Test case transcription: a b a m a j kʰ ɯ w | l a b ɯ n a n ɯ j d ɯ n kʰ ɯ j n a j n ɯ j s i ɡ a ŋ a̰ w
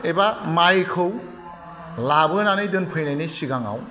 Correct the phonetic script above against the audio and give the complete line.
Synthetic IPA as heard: e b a m a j kʰ ɯ w | l a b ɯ n a n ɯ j d ɯ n pʰ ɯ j n a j n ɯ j s i ɡ a ŋ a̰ w